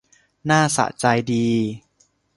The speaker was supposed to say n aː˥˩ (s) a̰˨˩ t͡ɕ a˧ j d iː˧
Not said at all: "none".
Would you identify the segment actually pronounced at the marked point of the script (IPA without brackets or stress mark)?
s